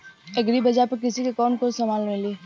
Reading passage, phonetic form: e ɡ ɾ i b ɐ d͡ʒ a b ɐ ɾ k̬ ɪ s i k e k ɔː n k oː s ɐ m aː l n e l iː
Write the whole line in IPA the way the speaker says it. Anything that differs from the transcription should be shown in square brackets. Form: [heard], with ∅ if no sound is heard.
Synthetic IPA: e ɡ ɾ i b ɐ d͡ʒ a [p] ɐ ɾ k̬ ɪ s i k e k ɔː n k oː s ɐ m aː l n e l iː